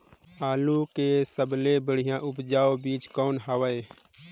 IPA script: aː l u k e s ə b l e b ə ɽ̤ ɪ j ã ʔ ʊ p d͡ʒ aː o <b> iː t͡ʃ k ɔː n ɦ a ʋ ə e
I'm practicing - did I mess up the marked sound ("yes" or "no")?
no